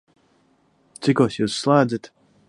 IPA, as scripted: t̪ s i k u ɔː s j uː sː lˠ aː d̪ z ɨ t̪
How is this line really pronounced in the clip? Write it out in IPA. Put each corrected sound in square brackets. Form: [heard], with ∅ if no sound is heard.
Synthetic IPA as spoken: t̪ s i k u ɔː s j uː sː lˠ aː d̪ z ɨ t̪